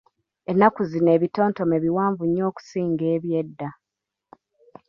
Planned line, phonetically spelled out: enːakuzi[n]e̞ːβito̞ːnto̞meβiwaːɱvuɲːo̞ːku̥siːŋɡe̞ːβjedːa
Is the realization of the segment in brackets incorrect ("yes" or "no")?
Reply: no